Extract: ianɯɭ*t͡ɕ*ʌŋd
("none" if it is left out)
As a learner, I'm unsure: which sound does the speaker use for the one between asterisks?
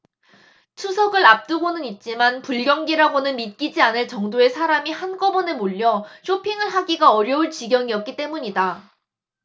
t͡ɕ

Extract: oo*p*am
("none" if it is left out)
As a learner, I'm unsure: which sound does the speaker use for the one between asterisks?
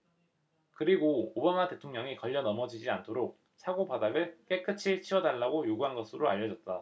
b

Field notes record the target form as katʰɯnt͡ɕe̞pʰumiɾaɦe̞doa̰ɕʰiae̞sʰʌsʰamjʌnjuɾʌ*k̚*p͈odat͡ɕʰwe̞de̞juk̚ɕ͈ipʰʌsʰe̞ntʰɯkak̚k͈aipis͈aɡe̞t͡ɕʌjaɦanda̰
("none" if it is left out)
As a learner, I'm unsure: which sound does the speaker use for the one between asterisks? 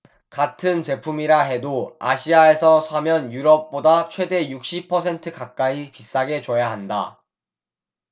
p̚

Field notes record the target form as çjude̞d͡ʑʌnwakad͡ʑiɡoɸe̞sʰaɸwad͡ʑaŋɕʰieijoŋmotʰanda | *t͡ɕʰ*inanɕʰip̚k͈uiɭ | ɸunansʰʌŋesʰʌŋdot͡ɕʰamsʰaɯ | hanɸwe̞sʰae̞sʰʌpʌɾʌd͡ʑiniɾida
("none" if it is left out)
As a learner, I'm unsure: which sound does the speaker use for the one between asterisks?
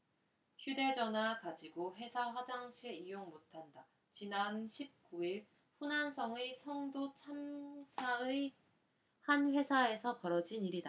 t͡ɕ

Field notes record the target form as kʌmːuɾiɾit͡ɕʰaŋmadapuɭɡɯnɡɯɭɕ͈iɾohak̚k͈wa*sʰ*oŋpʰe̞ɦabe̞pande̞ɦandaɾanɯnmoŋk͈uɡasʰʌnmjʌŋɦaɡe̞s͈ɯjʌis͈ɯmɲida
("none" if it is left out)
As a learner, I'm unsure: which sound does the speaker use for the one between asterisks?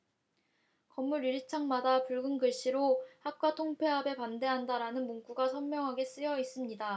tʰ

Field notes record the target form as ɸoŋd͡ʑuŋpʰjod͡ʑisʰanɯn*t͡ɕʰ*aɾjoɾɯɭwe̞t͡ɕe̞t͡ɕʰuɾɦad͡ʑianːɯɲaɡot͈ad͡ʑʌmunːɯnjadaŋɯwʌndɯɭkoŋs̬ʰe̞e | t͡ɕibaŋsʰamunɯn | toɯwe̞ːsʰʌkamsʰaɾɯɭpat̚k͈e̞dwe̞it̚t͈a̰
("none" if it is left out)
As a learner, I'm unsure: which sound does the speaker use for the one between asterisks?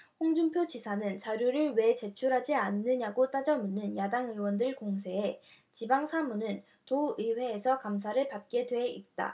t͡ɕ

